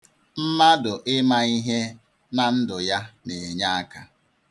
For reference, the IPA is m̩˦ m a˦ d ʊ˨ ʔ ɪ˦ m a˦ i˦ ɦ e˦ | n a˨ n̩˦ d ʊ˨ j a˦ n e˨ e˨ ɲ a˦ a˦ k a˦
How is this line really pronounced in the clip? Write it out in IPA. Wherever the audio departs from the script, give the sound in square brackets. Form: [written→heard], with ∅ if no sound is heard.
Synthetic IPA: m̩˦ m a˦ d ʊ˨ ʔ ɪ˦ m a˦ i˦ ɦ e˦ | n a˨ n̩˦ d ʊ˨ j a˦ n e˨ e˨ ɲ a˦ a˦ k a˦

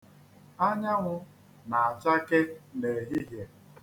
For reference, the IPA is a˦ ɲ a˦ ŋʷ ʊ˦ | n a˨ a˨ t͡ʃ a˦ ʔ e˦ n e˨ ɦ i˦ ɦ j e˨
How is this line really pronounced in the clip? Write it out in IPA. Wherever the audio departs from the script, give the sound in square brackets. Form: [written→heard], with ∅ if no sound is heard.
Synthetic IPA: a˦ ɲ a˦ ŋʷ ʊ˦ | n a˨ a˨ t͡ʃ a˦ [ʔ→k] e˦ n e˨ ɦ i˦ ɦ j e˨

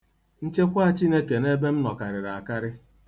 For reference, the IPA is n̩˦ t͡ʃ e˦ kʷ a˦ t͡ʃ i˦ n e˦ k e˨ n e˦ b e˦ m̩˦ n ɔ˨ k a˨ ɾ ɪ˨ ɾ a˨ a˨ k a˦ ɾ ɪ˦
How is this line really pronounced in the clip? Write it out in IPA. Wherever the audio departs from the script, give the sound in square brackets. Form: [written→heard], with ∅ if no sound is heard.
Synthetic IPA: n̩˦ t͡ʃ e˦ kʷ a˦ t͡ʃ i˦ n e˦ k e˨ n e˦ b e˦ m̩˦ n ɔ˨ k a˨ ɾ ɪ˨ ɾ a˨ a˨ k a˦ ɾ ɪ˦

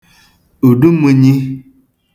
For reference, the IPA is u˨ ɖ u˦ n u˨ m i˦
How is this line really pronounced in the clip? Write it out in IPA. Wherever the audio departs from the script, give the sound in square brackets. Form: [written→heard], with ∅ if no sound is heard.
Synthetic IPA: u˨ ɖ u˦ [n→m] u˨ [m→ɲ] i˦

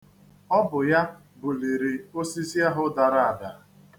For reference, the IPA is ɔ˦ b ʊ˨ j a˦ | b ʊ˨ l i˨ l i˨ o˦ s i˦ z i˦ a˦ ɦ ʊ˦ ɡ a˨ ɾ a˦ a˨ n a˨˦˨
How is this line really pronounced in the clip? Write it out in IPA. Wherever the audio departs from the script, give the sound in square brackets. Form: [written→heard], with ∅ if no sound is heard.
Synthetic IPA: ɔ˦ b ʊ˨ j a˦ | b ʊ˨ l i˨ [l→ɾ] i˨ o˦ s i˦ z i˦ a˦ ɦ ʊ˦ [ɡ→d] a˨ ɾ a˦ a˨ [n→d] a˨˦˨

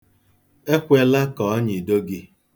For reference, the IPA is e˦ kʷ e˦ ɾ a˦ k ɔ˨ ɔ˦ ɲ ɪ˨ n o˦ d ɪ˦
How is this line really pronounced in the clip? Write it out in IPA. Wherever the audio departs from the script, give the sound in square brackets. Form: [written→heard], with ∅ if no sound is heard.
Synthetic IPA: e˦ kʷ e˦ [ɾ→l] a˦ k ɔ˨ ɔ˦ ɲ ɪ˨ [n→d] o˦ [d→ɡ] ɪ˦

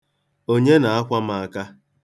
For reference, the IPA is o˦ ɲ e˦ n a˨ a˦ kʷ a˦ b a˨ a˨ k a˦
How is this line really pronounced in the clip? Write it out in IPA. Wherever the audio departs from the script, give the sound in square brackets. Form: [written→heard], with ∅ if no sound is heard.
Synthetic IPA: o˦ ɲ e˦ n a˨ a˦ kʷ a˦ [b→m] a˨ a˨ k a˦

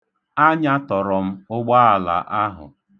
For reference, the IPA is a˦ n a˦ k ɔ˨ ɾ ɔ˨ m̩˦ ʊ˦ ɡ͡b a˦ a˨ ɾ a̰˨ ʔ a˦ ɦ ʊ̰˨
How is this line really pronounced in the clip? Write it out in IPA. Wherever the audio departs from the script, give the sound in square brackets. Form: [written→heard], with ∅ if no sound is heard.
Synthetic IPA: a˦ [n→ɲ] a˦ [k→t] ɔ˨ ɾ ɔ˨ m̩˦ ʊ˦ ɡ͡b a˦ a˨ [ɾ→l] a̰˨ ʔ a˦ ɦ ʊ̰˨

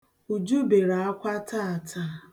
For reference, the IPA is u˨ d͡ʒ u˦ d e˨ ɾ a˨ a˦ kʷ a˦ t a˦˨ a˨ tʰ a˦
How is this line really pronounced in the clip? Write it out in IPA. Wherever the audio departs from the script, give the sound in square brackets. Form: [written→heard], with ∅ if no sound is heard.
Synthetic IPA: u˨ d͡ʒ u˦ [d→b] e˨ ɾ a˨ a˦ kʷ a˦ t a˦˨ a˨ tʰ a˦

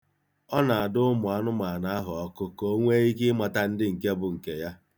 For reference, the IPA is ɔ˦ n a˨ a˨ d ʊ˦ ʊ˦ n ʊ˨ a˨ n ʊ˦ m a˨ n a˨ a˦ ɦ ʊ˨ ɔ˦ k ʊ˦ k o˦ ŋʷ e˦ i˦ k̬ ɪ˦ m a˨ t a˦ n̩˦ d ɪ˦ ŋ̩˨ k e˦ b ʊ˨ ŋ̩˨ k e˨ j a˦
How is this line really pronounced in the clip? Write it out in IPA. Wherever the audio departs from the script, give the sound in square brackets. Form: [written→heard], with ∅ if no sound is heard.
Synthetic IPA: ɔ˦ n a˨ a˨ d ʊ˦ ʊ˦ [n→m] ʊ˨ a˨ n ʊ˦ m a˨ n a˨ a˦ ɦ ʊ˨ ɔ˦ k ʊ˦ k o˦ ŋʷ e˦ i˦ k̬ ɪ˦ m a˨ t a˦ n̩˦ d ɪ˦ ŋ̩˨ k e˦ b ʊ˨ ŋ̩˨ k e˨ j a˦

